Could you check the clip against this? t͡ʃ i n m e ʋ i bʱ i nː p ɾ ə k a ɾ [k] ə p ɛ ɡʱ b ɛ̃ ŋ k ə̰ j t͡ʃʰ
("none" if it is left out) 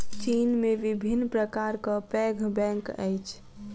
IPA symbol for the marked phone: k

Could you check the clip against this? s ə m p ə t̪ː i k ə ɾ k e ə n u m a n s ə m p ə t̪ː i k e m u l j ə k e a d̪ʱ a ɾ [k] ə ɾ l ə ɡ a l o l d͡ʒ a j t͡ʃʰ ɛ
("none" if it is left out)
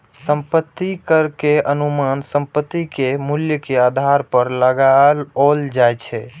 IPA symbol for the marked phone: p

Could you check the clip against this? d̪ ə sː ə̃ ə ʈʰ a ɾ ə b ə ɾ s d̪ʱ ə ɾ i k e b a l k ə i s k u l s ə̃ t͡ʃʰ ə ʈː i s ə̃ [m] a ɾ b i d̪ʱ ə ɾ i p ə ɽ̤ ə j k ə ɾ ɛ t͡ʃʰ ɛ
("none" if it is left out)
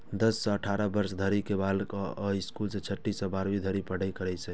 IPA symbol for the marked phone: b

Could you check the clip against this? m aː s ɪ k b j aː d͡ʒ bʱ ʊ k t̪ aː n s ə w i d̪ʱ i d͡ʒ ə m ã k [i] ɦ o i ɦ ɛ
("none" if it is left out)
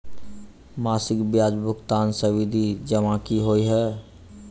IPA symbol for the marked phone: i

